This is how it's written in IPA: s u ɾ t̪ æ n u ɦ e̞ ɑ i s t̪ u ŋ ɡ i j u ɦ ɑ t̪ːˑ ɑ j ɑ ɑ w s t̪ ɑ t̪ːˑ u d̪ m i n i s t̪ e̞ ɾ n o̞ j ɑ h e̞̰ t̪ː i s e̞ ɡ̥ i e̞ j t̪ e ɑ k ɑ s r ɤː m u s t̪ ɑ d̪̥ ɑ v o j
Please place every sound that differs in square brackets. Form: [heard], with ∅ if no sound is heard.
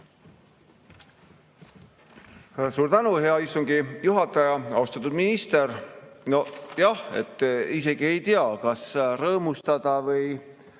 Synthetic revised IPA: s [uː] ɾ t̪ æ n u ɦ e̞ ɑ i s t̪ u ŋ ɡ i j u ɦ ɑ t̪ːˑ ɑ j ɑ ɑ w s t̪ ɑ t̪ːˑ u d̪ m i n i s t̪ e̞ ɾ n o̞ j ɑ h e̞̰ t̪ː i s e̞ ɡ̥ i e̞ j t̪ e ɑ k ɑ s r ɤː m u s t̪ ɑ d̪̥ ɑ v [ɤ] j

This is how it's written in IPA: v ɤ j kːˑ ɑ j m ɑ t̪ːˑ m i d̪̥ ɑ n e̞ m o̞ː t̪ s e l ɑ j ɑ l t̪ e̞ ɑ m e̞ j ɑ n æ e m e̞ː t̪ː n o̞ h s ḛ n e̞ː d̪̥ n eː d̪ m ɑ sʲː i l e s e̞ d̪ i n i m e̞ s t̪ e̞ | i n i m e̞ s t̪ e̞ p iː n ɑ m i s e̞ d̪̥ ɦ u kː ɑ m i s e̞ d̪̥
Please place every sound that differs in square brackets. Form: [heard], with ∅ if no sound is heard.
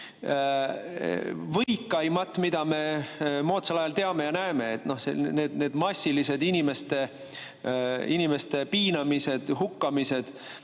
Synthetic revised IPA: v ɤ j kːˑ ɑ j m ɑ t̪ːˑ m i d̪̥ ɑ [m] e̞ m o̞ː t̪ s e l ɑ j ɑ l t̪ e̞ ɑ m e̞ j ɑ n æ e m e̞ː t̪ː n o̞ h s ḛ n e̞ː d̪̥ n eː d̪ m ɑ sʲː i l [i] s e̞ d̪ i n i m e̞ s t̪ e̞ | i n i m e̞ s t̪ e̞ p iː n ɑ m i s e̞ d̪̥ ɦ u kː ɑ m i s e̞ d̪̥

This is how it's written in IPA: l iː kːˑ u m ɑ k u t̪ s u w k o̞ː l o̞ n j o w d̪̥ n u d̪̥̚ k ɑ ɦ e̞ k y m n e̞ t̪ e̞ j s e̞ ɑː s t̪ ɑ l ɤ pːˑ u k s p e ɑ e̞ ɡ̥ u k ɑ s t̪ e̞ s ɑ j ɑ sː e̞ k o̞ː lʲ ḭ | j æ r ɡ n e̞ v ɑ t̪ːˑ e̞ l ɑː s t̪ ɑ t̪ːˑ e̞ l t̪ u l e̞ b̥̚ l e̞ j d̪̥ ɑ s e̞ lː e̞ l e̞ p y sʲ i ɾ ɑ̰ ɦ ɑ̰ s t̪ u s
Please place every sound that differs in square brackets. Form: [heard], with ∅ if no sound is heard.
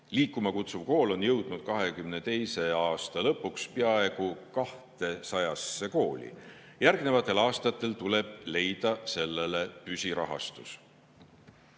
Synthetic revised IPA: l iː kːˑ u m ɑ k u t̪ s u [v] k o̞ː l o̞ n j [ɤ] w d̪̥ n u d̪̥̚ k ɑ ɦ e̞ k y m n e̞ t̪ e̞ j s e̞ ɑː s t̪ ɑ l ɤ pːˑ u k s p e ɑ e̞ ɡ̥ u k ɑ [h] t̪ e̞ s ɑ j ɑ sː e̞ k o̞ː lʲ ḭ | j æ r ɡ n e̞ v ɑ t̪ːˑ e̞ l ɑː s t̪ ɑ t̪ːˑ e̞ l t̪ u l e̞ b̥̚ l e̞ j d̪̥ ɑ s e̞ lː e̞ l e̞ p y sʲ i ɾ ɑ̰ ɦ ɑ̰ s t̪ u s

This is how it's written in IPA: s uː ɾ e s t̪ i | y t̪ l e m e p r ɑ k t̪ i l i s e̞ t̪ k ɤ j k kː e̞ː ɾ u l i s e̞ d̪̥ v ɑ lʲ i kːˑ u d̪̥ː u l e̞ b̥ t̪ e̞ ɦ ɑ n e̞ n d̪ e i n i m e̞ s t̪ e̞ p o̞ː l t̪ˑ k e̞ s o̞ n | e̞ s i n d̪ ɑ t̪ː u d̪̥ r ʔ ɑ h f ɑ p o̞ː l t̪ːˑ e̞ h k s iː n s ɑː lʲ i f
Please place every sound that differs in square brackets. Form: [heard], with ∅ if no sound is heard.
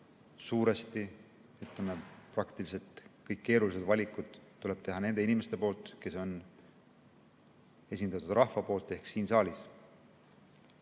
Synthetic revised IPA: s uː ɾ e s t̪ i | y t̪ l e m e p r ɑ k t̪ i l i s e̞ t̪ k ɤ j k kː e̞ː ɾ u l i s e̞ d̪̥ v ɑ lʲ i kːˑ u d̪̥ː u l e̞ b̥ t̪ e̞ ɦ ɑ n e̞ n d̪ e i n i m e̞ s t̪ e̞ p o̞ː l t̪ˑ k e̞ s o̞ n | e̞ s i n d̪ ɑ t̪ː u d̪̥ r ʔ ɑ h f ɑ p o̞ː l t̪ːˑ e̞ h k s iː n s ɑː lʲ i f

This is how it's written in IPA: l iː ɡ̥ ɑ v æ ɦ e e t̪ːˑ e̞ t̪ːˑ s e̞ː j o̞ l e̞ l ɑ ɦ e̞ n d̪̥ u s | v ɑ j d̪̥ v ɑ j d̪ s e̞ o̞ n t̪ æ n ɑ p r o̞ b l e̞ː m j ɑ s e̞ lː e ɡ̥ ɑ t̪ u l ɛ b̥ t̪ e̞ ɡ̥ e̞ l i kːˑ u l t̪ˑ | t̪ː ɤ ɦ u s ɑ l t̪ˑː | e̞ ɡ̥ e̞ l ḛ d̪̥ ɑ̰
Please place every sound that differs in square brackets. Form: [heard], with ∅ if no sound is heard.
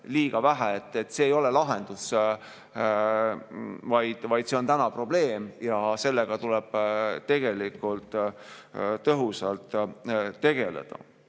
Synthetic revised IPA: l iː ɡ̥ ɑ v æ ɦ [æ] e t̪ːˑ e̞ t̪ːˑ s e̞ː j o̞ l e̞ l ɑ ɦ e̞ n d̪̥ u s | v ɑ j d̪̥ v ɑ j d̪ s e̞ o̞ n t̪ æ n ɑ p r o̞ b l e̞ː m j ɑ s e̞ lː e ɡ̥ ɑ t̪ u l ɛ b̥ t̪ e̞ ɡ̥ e̞ l i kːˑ u l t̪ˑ | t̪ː ɤ ɦ u s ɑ l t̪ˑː | e̞ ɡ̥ e̞ l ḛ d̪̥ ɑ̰

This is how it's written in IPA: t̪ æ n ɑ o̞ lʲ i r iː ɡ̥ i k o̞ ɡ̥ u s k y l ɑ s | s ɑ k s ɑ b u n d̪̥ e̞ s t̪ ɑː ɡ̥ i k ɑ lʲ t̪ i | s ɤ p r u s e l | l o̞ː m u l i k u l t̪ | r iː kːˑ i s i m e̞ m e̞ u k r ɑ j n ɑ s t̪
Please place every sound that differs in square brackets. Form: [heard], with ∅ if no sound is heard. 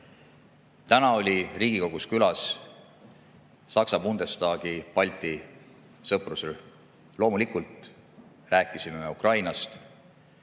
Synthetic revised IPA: t̪ æ n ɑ o̞ lʲ i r iː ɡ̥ i k o̞ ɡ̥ u s k y l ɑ s | s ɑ k s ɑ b u n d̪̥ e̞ s t̪ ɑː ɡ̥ i [p] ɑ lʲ t̪ i | s ɤ p r u s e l | l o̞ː m u l i k u l t̪ | r [æː] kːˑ i s i m e̞ m e̞ u k r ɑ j n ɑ s t̪

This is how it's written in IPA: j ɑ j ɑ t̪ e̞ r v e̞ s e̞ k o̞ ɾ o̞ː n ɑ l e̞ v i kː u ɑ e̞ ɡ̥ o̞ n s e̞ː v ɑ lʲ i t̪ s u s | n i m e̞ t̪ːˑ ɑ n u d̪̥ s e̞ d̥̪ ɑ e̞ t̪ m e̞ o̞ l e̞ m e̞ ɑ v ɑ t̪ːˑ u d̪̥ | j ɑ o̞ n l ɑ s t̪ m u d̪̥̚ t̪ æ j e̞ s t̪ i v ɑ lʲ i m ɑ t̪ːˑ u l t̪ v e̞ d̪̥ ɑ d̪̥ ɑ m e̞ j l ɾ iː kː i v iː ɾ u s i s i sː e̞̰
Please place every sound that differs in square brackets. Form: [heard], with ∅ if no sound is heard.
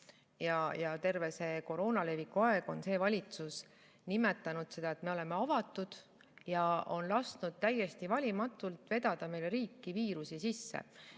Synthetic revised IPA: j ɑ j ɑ t̪ e̞ r v e̞ s e̞ k o̞ ɾ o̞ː n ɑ l e̞ v i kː u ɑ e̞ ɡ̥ o̞ n s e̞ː v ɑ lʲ i t̪ s u s | n i m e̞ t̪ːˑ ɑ n u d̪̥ s e̞ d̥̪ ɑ e̞ t̪ m e̞ o̞ l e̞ m e̞ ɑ v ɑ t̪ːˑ u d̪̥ | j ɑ o̞ n l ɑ s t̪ [n] u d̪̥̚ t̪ æ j e̞ s t̪ i v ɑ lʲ i m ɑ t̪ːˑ u l t̪ v e̞ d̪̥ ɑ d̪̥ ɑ m e̞ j l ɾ iː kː i v iː ɾ u s i s i sː e̞̰

